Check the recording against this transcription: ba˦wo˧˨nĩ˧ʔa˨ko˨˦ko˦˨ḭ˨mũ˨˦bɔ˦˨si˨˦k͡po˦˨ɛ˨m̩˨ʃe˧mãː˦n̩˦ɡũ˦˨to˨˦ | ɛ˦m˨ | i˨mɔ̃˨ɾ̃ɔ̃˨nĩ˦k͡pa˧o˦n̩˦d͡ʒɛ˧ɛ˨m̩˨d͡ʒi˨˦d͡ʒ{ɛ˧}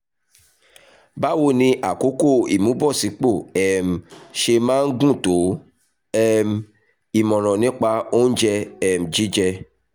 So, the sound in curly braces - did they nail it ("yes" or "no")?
yes